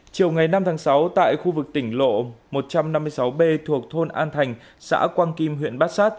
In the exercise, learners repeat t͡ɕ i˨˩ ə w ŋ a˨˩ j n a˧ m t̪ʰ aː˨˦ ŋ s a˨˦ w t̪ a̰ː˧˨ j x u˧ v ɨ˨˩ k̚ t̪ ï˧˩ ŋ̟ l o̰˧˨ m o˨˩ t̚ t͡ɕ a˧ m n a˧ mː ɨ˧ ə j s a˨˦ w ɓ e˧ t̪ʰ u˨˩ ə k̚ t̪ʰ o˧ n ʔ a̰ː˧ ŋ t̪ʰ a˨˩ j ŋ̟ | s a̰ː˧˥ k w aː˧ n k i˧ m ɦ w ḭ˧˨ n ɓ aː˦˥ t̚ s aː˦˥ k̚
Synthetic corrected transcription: t͡ɕ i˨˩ ə w ŋ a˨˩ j n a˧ m t̪ʰ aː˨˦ ŋ s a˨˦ w t̪ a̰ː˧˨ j x u˧ v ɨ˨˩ k̚ t̪ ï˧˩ ŋ̟ l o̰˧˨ m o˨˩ t̚ t͡ɕ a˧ m n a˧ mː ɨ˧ ə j s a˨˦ w ɓ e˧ t̪ʰ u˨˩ ə k̚ t̪ʰ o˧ n ʔ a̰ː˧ n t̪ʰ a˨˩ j ŋ̟ | s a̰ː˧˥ k w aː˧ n k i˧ m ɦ w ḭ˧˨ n ɓ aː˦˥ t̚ s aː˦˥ t̚